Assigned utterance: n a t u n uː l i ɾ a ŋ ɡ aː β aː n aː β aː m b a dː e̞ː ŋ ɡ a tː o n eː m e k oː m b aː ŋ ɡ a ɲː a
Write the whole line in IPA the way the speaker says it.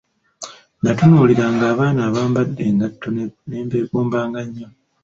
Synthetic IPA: n a t u n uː l i ɾ a ŋ ɡ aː β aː n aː β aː m b a dː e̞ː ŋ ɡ a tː o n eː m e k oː m b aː ŋ ɡ a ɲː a